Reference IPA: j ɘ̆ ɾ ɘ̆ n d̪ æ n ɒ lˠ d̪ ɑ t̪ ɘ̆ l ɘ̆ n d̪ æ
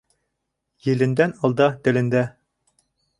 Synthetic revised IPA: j ɘ̆ l ɘ̆ n d̪ æ n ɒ lˠ d̪ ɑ t̪ ɘ̆ l ɘ̆ n d̪ æ